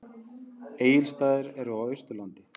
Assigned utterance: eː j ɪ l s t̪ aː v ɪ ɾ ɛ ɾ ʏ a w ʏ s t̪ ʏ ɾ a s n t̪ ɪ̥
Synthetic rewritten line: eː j ɪ l s t̪ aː ð ɪ ɾ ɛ ɾ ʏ a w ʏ s t̪ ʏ l a n t̪ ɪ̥